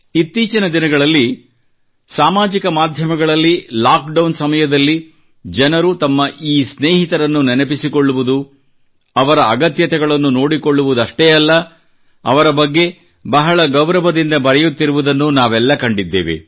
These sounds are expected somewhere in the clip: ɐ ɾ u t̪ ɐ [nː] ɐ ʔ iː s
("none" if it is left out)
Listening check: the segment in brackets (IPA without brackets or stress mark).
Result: mː